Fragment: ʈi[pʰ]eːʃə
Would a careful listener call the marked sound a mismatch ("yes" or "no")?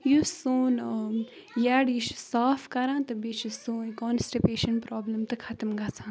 yes